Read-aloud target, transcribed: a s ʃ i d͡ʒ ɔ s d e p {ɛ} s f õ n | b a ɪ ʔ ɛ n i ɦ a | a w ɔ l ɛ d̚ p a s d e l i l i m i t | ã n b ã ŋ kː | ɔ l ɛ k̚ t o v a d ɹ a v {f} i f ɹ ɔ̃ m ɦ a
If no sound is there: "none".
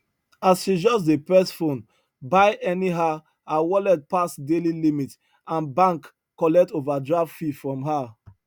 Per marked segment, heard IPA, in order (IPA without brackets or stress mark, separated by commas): ɛ, f